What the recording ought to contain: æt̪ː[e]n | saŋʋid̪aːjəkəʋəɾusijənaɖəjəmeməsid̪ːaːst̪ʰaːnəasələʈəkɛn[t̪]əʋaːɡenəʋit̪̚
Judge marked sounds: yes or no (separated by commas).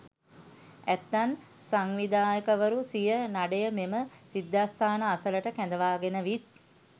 no, no